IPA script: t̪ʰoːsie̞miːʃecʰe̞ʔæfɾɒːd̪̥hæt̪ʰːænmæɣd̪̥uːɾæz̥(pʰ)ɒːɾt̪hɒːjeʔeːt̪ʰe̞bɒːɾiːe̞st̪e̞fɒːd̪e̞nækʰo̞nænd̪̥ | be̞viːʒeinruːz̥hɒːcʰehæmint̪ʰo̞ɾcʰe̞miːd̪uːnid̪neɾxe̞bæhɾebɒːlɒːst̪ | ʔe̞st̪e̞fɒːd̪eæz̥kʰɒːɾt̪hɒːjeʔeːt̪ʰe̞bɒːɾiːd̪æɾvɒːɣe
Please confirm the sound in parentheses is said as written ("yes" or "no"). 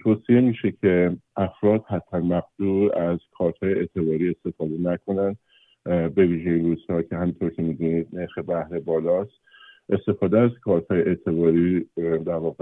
no